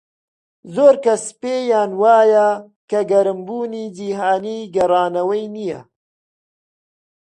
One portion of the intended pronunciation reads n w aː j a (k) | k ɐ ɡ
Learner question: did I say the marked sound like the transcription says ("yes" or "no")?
no